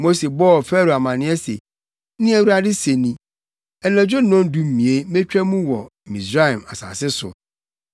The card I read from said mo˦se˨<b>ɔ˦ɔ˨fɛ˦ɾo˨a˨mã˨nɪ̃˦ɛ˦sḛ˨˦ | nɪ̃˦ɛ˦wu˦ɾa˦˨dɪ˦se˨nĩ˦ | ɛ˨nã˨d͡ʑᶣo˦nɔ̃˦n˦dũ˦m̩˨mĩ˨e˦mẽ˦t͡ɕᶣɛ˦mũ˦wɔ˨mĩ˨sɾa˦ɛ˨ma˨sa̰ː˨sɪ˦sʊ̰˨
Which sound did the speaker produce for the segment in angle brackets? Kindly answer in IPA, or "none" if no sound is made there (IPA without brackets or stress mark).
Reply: b